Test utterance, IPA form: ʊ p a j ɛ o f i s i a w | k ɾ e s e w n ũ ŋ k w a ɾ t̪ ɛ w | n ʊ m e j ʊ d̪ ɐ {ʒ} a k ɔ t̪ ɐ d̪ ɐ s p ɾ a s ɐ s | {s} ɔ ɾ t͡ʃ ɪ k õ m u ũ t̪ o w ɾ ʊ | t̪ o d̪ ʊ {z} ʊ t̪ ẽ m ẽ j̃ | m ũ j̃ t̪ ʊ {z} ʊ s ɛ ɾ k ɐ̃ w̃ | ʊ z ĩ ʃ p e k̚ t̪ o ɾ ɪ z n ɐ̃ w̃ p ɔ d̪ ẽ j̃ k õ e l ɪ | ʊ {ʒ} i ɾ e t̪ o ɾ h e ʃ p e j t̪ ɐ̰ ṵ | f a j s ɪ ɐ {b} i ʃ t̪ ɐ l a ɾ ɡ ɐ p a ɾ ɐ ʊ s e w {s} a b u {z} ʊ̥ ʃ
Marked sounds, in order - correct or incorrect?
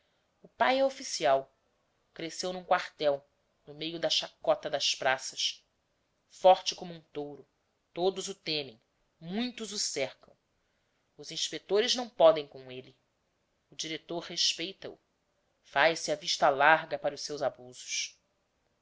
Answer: incorrect: ʃ, incorrect: f, correct, correct, incorrect: d͡ʒ, incorrect: v, incorrect: z, correct

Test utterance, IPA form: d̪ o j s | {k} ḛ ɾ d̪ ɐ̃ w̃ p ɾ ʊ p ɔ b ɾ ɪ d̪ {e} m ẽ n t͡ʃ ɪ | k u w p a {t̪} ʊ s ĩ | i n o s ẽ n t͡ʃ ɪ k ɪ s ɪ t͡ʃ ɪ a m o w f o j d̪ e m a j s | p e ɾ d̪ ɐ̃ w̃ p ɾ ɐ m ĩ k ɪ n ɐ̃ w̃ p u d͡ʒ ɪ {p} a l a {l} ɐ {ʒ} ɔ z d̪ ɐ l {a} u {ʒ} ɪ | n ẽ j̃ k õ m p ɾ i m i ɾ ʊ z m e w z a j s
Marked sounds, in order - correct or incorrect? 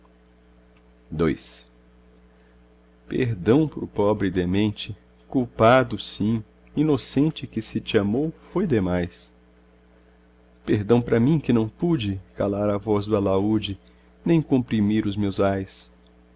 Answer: incorrect: p, correct, incorrect: d̪, incorrect: k, incorrect: ɾ, incorrect: v, correct, incorrect: d͡ʒ

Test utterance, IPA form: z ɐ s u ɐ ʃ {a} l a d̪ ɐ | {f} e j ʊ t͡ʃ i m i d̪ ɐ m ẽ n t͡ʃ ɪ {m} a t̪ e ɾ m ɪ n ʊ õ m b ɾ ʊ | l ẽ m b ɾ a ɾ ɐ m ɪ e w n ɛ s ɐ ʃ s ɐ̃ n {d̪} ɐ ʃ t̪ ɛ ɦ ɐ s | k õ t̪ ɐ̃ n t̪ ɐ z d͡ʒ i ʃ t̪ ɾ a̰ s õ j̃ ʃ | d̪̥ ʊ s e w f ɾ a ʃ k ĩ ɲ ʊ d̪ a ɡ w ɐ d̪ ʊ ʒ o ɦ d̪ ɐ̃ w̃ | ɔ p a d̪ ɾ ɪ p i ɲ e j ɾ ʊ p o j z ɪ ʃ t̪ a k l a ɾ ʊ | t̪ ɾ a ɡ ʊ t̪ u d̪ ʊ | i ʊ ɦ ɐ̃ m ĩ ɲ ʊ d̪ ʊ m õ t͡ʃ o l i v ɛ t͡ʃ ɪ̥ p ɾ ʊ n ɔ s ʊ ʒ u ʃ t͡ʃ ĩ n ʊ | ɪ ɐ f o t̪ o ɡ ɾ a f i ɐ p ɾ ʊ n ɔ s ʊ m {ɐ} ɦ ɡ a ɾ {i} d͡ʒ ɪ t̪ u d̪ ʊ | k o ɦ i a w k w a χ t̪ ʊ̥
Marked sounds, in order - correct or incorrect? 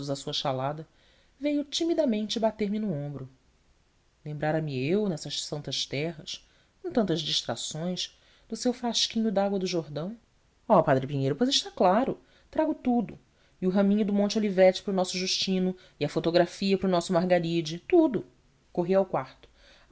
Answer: correct, incorrect: v, incorrect: b, incorrect: t̪, incorrect: a, correct

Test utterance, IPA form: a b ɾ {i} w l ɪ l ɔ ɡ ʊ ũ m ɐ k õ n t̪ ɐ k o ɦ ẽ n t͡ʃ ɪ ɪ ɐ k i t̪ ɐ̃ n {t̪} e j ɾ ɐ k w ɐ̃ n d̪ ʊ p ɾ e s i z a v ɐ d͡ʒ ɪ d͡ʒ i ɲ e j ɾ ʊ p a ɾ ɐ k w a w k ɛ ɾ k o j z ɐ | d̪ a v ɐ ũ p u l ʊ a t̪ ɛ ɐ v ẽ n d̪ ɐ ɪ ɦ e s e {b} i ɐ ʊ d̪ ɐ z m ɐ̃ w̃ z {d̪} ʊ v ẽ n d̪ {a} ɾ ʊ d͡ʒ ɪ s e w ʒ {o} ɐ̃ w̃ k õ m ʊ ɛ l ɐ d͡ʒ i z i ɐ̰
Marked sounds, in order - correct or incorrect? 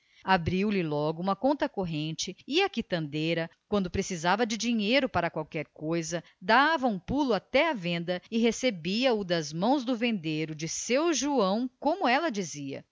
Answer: correct, incorrect: d̪, correct, correct, incorrect: e, incorrect: u

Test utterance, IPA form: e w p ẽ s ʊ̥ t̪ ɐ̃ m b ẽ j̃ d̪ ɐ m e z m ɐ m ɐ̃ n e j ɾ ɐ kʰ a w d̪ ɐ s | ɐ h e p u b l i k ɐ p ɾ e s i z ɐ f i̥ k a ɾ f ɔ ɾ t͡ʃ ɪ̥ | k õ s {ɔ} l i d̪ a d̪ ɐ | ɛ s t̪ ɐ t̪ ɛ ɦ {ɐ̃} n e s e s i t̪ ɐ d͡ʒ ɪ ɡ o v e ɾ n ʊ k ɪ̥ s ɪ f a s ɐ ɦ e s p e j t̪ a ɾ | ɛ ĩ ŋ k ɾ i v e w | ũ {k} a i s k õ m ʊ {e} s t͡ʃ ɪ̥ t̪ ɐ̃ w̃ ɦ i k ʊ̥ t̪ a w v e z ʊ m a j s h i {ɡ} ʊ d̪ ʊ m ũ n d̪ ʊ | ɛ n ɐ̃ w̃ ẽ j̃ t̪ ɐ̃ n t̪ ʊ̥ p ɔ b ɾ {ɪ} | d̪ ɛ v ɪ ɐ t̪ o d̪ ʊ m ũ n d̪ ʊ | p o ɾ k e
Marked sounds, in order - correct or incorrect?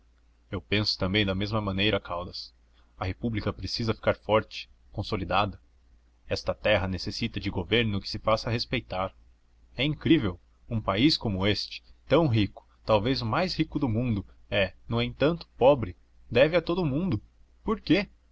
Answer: incorrect: o, incorrect: ɐ, incorrect: p, correct, incorrect: k, correct

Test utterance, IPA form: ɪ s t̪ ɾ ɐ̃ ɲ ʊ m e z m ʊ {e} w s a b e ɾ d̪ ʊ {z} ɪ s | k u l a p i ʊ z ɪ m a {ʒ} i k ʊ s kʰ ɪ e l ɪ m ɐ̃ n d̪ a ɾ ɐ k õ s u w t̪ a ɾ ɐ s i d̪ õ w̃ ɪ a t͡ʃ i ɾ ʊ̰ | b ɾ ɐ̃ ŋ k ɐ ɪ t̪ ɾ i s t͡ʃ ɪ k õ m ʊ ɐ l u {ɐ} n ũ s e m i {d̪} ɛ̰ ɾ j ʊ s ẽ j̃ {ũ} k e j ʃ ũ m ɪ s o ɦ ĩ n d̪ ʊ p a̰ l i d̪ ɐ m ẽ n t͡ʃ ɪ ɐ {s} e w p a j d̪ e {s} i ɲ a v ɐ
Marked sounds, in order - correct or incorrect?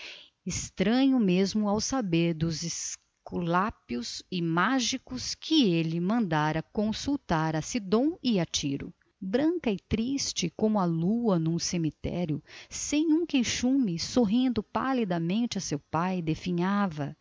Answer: incorrect: a, correct, correct, correct, incorrect: t̪, correct, correct, incorrect: f

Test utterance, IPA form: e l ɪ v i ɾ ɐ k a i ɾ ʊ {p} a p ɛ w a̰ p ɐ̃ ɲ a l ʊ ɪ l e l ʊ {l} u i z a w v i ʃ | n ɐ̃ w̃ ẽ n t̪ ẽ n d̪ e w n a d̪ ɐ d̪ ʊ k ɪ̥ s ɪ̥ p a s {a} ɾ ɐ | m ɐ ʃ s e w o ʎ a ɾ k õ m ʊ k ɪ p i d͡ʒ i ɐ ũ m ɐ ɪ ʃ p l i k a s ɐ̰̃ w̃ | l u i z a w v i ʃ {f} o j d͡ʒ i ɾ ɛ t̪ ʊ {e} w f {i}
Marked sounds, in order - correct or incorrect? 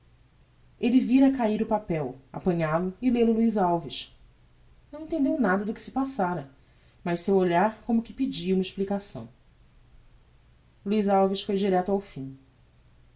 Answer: correct, correct, correct, correct, incorrect: a, incorrect: ĩ

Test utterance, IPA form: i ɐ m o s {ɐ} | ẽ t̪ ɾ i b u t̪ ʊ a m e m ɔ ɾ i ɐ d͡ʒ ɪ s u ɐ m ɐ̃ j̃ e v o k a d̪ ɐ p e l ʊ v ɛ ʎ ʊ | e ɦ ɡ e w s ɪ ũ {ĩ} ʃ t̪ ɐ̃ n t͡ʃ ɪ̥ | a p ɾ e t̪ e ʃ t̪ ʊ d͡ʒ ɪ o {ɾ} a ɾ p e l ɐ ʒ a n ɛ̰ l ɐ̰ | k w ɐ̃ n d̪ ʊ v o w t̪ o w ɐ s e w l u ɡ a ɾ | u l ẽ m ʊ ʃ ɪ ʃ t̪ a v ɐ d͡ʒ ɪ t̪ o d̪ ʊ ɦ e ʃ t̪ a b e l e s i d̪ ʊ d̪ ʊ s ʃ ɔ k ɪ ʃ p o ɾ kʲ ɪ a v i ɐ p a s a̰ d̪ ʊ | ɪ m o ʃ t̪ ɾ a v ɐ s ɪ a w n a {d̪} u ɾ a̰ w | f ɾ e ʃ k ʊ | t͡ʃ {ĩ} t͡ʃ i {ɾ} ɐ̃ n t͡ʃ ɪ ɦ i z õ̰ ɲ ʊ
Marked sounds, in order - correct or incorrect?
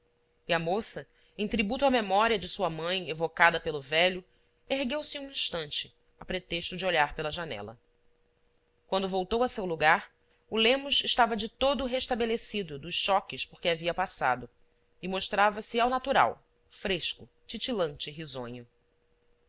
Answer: correct, correct, incorrect: ʎ, incorrect: t̪, incorrect: i, incorrect: l

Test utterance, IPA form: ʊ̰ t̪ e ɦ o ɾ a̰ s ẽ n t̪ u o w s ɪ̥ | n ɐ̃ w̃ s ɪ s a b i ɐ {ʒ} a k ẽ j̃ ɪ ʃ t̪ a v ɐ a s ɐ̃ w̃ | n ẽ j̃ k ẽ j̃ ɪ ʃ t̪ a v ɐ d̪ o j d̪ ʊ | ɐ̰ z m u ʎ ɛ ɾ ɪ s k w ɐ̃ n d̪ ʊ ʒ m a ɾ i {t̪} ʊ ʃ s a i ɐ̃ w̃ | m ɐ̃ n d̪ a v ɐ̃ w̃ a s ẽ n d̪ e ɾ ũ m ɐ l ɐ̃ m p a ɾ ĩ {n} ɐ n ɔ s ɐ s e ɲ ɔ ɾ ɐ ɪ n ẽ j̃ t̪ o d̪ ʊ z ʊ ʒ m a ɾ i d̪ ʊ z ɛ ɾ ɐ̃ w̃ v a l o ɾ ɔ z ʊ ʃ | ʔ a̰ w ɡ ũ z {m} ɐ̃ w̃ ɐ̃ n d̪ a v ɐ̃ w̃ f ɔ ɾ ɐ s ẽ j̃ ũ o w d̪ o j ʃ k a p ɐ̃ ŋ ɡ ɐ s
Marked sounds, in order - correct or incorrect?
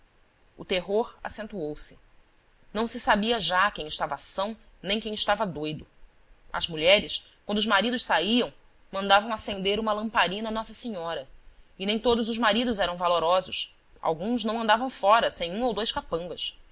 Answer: correct, incorrect: d̪, correct, incorrect: n

